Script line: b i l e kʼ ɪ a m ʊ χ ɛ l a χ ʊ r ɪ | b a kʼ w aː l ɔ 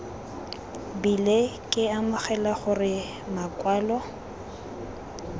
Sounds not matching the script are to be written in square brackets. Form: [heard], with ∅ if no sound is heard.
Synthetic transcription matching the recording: b i l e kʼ ɪ a m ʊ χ ɛ l a χ ʊ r ɪ | [m] a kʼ w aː l ɔ